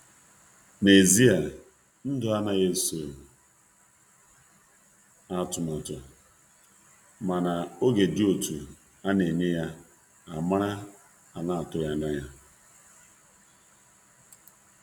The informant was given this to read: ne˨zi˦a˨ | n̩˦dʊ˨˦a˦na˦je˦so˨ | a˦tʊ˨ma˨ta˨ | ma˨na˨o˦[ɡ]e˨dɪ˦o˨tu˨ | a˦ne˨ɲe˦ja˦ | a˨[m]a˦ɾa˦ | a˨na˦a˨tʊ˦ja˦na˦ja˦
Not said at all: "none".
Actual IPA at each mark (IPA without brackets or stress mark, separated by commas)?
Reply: ɡ, m